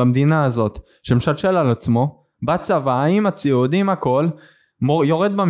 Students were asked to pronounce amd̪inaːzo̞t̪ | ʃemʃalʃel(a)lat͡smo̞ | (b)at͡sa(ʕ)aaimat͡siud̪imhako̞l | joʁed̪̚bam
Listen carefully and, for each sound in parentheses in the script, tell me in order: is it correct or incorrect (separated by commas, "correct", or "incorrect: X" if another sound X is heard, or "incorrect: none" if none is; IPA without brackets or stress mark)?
correct, correct, incorrect: v